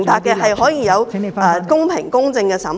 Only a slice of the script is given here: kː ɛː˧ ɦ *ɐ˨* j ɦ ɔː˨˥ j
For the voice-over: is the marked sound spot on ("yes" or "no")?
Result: yes